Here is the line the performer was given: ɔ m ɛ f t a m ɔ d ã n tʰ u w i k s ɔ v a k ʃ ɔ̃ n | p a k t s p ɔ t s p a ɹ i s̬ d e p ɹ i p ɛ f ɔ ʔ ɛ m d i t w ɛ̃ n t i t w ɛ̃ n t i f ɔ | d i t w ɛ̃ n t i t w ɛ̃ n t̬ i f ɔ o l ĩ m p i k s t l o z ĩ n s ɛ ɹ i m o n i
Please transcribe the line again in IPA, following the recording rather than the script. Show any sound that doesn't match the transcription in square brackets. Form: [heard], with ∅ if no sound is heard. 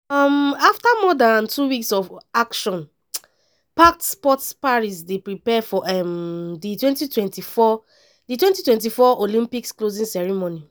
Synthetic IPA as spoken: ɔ m [a] f t a m ɔ d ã n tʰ u w i k s ɔ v a k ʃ ɔ̃ n | p a k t s p ɔ t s p a ɹ i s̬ d e p ɹ i p ɛ f ɔ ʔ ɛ m d i t w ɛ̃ n t i t w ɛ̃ n t i f ɔ | d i t w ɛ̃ n t i t w ɛ̃ n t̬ i f ɔ o l ĩ m p i k s [k] l o z ĩ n s ɛ ɹ i m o n i

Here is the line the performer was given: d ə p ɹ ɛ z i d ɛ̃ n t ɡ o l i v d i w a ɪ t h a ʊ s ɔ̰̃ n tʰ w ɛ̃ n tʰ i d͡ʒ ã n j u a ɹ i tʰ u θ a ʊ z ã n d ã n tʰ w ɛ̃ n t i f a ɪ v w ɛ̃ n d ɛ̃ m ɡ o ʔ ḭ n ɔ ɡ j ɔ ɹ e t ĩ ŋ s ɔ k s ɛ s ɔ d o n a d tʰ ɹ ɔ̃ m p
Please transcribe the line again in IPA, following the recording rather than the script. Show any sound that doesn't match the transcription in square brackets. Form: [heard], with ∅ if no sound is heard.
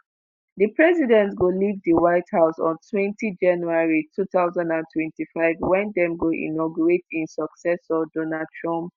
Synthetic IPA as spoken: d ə p ɹ ɛ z i d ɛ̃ n t ɡ o l i v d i w a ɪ t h a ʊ s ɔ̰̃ n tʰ w ɛ̃ n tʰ i d͡ʒ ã n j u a ɹ i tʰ u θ a ʊ z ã n d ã n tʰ w ɛ̃ n t i f a ɪ v w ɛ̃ n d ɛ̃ m ɡ o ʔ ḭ n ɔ ɡ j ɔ ɹ e t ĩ [n] s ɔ k s ɛ s ɔ d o n a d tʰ ɹ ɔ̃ m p

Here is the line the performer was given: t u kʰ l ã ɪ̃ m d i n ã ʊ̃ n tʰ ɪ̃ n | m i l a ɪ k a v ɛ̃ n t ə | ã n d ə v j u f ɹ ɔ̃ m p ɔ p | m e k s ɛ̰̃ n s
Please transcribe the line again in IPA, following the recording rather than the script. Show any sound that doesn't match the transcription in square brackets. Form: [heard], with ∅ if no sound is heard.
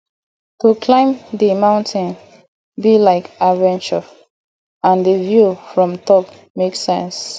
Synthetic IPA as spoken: t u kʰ l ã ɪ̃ m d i [m] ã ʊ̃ n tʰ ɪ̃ n | [b] i l a ɪ k a v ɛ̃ n [t͡ʃ] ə | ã n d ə v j u f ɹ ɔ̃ m [t] ɔ p | m e k s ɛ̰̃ n s

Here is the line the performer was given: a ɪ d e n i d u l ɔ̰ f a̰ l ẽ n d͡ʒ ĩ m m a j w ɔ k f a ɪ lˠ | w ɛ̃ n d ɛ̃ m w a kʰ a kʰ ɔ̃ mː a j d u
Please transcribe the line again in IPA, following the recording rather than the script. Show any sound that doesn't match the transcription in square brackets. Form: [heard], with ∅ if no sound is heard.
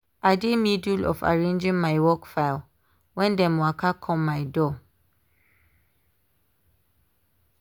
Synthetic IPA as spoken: a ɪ d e [m] i d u l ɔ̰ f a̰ [ɹ] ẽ n d͡ʒ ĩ [ŋ] m a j w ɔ k f a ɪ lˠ | w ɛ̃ n d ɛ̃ m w a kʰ a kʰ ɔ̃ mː a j d [ɔ]

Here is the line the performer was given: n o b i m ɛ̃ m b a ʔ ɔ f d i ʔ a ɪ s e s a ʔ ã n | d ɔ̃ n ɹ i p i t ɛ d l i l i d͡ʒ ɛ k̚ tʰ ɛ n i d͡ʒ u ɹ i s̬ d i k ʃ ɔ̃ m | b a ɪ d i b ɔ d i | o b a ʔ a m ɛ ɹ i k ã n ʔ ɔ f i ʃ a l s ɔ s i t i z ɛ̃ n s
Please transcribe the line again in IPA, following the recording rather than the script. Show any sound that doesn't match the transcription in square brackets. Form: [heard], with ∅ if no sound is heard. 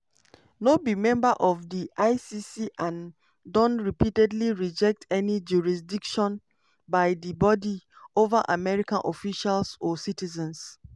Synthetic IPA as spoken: n o b i m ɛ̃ m b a ʔ ɔ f d i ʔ a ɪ s [i] s [i] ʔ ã n | d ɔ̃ n ɹ i p i t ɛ d l i [ɹ] i d͡ʒ ɛ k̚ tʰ ɛ n i d͡ʒ u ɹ i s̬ d i k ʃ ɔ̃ [n] | b a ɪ d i b ɔ d i | o [v] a ʔ a m ɛ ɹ i k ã n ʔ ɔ f i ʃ a l s ɔ s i t i z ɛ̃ n s

